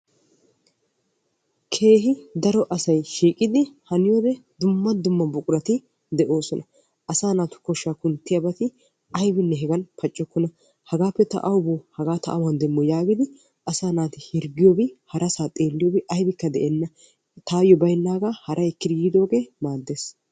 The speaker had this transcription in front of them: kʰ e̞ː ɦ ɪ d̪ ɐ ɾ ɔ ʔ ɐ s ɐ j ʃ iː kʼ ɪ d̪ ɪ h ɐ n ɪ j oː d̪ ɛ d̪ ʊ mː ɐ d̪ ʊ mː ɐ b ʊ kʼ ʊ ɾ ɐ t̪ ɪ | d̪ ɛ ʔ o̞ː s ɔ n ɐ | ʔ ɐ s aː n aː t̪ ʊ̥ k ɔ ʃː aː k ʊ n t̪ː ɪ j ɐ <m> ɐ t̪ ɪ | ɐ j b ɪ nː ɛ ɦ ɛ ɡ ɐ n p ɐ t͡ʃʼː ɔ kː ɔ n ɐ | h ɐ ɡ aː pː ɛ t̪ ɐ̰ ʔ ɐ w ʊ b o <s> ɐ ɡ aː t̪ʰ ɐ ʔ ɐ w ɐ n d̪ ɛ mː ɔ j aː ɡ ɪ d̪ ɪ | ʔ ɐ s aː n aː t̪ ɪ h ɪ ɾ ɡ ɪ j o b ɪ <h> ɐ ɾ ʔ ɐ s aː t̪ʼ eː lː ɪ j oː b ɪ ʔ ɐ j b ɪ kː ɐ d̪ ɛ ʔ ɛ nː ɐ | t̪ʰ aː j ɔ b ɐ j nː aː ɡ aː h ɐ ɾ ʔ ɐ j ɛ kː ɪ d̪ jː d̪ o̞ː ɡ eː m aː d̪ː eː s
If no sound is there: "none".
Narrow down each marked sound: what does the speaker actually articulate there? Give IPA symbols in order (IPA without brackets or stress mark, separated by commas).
b, h, h